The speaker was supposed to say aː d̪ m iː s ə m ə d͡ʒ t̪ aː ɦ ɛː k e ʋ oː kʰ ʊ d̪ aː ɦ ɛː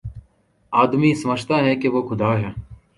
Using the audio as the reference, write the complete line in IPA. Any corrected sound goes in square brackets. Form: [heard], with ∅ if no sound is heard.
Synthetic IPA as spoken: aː d̪ m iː s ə m ə d͡ʒ t̪ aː ɦ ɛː k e ʋ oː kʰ ʊ d̪ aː ɦ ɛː